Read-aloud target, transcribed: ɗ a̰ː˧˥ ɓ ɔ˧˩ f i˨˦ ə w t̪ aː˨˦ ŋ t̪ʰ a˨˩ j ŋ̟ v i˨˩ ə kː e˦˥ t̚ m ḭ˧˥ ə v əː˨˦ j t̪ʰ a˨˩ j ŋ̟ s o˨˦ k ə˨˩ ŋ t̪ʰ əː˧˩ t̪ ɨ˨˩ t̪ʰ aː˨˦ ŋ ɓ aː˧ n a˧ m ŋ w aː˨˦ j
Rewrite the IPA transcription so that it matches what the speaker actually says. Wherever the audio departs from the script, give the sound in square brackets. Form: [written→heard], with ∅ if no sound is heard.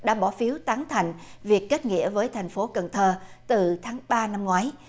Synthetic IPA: ɗ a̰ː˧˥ ɓ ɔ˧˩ f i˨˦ ə w t̪ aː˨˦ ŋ t̪ʰ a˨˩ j ŋ̟ v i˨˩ ə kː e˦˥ t̚ [m→ŋ] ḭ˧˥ ə v əː˨˦ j t̪ʰ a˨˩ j ŋ̟ [s→f] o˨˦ k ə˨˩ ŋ t̪ʰ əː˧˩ t̪ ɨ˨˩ t̪ʰ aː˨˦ ŋ ɓ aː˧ n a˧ m ŋ w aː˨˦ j